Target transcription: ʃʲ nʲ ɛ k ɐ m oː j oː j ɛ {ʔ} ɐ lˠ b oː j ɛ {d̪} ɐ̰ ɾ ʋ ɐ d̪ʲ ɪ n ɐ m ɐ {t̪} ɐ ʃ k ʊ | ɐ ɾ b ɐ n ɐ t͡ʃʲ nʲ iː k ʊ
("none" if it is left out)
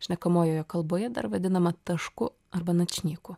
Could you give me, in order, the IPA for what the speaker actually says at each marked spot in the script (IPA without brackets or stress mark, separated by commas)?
k, d̪, t̪